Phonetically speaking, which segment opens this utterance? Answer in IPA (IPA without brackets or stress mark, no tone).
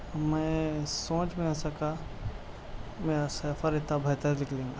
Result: m